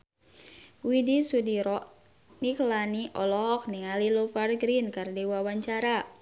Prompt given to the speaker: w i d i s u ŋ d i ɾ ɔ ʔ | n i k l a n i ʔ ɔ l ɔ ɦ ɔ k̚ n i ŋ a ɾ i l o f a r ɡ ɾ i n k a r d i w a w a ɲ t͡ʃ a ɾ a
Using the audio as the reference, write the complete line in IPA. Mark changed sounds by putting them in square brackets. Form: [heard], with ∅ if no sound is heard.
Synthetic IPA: w i d i s u [∅] d i ɾ ɔ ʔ | n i k l a n i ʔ ɔ l ɔ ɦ ɔ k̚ n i ŋ a [l] i l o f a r ɡ ɾ i n k a r d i w a w a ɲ t͡ʃ a ɾ a

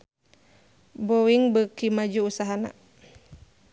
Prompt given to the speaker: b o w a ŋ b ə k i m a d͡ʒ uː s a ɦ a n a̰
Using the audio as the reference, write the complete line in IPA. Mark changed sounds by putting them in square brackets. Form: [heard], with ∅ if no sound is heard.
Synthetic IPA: b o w [i] ŋ b ə k i m a d͡ʒ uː s a ɦ a n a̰

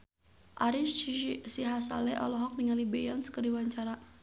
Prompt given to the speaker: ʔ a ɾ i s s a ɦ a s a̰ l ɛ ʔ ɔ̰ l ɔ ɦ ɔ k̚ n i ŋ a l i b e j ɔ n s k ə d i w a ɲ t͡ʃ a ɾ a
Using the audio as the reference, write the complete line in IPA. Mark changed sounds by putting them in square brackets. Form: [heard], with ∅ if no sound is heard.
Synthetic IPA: ʔ a ɾ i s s [i] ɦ a s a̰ l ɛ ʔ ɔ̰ l ɔ ɦ ɔ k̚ n i ŋ a l i b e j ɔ n s k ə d i w a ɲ t͡ʃ a ɾ a

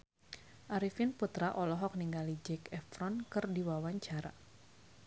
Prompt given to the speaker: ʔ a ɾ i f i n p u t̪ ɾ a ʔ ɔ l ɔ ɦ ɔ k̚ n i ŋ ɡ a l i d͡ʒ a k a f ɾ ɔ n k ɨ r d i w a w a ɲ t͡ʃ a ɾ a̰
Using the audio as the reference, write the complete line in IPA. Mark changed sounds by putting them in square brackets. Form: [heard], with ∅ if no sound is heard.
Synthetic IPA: ʔ a ɾ i f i n p u t̪ ɾ a ʔ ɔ l ɔ ɦ ɔ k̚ n i ŋ ɡ a l i d͡ʒ [ɛ] k [ɛ] f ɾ ɔ n k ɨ r d i w a w a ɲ t͡ʃ a ɾ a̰

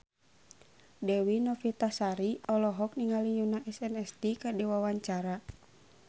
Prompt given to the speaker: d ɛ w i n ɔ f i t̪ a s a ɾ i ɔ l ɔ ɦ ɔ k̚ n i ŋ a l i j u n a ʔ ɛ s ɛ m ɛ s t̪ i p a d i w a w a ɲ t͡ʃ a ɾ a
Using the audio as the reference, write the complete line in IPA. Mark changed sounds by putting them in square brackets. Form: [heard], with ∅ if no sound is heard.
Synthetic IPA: d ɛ w i n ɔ f i t̪ a s a ɾ i ɔ l ɔ ɦ ɔ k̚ n i ŋ a l i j u n a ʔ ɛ s ɛ [n] ɛ s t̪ i [k] a d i w a w a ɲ t͡ʃ a ɾ a

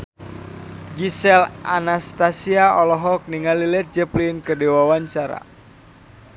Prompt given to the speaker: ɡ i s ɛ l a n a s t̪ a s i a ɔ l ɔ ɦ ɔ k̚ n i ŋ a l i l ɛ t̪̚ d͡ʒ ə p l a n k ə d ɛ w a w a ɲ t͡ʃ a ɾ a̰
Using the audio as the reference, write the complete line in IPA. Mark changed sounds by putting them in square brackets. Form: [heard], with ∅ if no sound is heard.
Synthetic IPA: ɡ i s ɛ l a n a s t̪ a s i a ɔ l ɔ ɦ ɔ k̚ n i ŋ a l i l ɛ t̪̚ d͡ʒ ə p l [i] n k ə d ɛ w a w a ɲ t͡ʃ a ɾ a̰

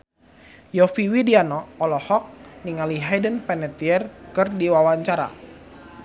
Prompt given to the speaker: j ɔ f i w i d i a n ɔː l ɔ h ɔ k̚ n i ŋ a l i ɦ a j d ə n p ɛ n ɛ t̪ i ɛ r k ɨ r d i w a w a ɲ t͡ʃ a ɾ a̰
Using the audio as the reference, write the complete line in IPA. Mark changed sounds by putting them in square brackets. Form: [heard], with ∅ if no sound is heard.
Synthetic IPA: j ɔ f i w i d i a n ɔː l ɔ h ɔ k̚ n i ŋ a l i ɦ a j d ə n p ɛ n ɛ t̪ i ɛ r k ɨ r d i w a w a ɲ t͡ʃ a ɾ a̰

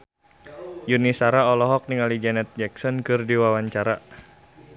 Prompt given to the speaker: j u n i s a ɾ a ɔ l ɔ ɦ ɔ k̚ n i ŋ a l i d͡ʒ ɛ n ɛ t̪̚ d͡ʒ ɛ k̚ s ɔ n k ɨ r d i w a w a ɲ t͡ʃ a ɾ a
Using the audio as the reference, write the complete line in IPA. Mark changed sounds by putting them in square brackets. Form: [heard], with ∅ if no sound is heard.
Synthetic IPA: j u n i s a ɾ a ɔ l ɔ ɦ ɔ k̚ n i ŋ a l i d͡ʒ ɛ n ɛ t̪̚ d͡ʒ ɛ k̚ s ɔ n k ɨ r d i w a w a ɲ t͡ʃ a ɾ a

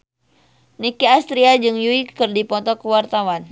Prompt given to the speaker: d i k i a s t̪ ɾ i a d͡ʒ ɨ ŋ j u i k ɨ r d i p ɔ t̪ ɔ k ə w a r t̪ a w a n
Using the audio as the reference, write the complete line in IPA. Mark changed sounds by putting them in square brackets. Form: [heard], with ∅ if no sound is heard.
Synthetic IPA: [n] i k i a s t̪ ɾ i a d͡ʒ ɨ ŋ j u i k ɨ r d i p ɔ t̪ ɔ k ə w a r t̪ a w a n

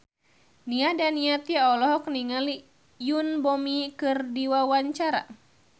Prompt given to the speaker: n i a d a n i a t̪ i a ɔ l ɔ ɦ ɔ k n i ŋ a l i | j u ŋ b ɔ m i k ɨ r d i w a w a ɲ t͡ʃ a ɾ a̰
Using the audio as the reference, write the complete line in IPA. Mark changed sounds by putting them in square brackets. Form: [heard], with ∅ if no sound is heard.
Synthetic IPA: n i a d a n i a t̪ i a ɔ l ɔ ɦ ɔ k n i ŋ a l i | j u [n] b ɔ m i k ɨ r d i w a w a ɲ t͡ʃ a ɾ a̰

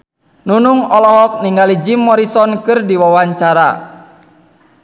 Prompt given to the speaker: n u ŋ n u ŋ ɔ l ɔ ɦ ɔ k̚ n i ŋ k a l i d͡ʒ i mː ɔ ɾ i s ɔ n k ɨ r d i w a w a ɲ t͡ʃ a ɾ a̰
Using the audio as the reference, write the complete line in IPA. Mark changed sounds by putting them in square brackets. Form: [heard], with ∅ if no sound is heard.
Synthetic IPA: n u [∅] n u ŋ ɔ l ɔ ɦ ɔ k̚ n i ŋ [ɡ] a l i d͡ʒ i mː ɔ ɾ i s ɔ n k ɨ r d i w a w a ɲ t͡ʃ a ɾ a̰

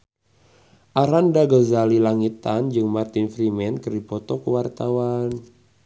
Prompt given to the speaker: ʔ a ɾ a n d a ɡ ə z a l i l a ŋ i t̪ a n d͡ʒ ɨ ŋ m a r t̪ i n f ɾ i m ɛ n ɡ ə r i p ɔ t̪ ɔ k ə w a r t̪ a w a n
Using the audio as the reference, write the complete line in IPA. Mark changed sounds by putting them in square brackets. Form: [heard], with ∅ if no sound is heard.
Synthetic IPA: ʔ a ɾ a n d a ɡ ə z a l i l a ŋ i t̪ a n d͡ʒ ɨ ŋ m a r t̪ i n f ɾ i m ɛ n [k] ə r i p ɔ t̪ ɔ k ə w a r t̪ a w a n

